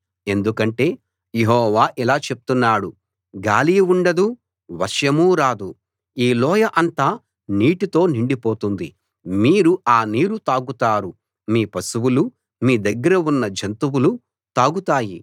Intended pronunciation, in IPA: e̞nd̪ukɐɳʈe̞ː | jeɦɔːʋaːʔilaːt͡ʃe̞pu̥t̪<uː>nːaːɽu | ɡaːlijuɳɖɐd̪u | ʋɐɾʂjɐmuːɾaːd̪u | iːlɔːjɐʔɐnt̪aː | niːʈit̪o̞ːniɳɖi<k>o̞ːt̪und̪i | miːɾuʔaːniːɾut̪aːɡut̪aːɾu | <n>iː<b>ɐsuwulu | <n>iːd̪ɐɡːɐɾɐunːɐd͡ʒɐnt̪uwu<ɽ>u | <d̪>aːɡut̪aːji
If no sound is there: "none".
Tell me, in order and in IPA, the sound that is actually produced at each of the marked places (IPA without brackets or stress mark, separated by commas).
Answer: u, p, m, p, m, l, t̪